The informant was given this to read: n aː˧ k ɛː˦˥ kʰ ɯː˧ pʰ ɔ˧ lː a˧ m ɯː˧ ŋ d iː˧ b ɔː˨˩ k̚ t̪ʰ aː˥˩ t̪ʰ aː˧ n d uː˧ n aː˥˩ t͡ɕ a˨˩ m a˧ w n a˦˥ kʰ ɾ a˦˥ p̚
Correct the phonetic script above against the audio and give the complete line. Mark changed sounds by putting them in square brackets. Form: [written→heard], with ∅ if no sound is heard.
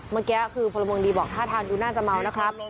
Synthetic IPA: [n→m] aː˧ k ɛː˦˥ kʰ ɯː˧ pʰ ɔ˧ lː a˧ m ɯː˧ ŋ d iː˧ b ɔː˨˩ k̚ t̪ʰ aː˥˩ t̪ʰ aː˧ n d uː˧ n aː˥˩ t͡ɕ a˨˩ m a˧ w n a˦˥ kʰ ɾ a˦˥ p̚